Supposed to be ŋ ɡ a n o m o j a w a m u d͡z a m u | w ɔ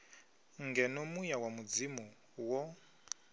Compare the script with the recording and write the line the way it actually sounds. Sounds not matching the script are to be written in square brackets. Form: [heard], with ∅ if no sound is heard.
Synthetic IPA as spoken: ŋ ɡ [ɛ] n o m [u] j a w a m u d͡z [i] m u | w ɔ